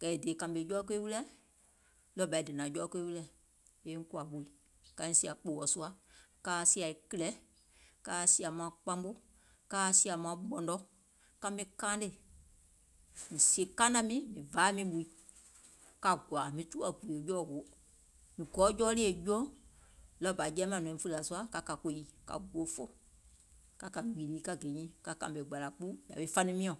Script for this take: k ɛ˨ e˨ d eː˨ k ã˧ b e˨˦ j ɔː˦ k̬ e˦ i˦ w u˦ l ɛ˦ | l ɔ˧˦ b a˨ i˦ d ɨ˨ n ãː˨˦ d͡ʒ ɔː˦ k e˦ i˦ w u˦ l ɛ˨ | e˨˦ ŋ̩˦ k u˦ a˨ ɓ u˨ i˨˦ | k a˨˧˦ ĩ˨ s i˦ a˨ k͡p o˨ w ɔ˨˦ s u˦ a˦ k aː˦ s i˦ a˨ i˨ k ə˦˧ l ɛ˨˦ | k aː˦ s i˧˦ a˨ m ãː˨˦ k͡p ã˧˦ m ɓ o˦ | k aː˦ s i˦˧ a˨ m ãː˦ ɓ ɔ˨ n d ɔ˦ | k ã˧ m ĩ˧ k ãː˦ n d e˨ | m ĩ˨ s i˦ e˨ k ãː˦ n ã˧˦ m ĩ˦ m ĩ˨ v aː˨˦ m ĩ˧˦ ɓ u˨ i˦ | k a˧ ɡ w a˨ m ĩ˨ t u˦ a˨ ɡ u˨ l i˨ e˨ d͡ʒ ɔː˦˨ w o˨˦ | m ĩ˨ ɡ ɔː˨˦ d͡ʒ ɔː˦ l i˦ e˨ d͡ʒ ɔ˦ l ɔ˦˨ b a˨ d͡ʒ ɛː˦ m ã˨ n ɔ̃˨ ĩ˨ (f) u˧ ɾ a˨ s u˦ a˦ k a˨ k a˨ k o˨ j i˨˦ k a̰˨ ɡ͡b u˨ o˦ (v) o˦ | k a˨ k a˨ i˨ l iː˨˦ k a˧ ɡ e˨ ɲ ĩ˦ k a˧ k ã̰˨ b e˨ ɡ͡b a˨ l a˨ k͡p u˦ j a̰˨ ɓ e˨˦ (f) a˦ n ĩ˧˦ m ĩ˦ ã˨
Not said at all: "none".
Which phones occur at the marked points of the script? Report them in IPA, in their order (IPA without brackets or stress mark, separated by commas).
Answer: f, f, f